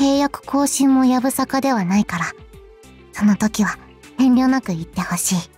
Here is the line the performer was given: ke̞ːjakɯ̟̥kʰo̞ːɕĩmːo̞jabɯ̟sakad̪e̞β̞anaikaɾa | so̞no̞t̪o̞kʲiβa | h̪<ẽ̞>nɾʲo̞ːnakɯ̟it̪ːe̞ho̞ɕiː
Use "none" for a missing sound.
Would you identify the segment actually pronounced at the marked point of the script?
ẽ̞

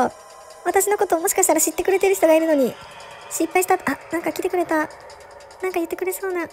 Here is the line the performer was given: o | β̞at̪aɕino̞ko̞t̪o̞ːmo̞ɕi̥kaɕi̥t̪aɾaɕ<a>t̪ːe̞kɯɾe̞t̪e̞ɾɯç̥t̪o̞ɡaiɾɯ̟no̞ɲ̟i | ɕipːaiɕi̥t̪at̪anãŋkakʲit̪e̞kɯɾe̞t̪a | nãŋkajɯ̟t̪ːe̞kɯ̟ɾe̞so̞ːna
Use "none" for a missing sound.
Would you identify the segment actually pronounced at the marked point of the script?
i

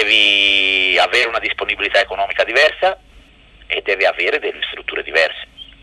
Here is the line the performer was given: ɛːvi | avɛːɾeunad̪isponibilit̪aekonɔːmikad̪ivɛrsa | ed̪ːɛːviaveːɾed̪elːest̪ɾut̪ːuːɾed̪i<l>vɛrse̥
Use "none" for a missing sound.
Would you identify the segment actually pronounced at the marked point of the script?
none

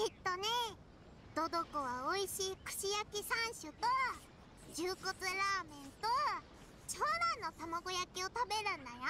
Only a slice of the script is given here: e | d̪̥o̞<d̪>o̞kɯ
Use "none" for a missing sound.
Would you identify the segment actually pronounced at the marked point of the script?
d̪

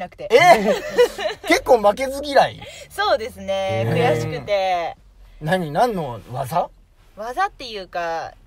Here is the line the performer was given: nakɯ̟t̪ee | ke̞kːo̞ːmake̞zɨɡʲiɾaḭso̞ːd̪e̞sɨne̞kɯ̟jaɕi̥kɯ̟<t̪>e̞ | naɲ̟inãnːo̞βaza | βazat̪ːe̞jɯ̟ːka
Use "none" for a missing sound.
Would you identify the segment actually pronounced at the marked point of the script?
t̪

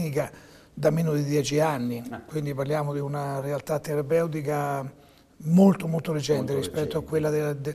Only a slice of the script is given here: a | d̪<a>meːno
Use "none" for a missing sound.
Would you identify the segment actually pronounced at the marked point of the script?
a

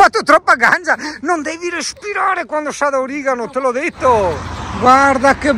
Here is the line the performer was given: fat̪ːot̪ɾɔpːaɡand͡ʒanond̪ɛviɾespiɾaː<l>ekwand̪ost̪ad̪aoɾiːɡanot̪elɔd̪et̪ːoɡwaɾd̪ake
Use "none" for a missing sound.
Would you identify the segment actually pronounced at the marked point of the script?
ɾ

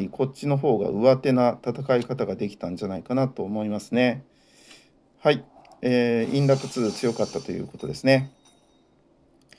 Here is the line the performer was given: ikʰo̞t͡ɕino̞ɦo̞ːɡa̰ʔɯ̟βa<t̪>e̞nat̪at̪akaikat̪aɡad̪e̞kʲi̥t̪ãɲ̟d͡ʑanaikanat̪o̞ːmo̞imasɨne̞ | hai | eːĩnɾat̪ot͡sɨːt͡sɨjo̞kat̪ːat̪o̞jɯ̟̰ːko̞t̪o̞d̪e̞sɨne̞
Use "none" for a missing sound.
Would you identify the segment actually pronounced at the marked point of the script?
t̪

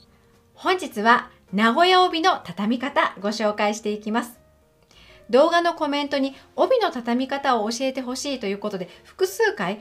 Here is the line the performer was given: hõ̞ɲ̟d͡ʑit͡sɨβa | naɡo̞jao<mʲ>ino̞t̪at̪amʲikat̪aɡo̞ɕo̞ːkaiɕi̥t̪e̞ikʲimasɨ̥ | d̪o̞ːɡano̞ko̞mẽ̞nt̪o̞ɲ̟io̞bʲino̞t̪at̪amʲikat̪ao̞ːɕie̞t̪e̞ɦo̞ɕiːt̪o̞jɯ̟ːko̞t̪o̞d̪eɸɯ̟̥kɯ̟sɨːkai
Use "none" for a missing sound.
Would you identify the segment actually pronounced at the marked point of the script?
bʲ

